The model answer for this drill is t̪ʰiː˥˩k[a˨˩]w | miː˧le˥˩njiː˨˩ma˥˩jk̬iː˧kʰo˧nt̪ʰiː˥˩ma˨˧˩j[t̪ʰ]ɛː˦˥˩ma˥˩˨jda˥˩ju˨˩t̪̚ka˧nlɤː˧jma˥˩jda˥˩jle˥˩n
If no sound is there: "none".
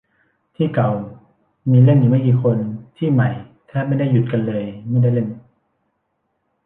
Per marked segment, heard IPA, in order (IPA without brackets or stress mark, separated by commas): a˨˩, t̪ʰ